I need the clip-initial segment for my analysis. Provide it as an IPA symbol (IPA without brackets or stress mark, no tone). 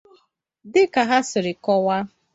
d